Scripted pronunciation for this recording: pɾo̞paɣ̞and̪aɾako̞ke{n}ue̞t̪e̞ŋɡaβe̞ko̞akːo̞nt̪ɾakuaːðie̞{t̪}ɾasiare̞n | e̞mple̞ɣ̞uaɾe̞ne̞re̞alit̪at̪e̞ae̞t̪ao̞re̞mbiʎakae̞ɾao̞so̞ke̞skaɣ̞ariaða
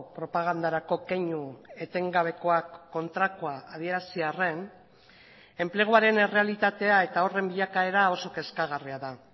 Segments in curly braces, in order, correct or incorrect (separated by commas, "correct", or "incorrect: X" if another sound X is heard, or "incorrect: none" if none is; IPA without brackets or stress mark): incorrect: ɲ, incorrect: none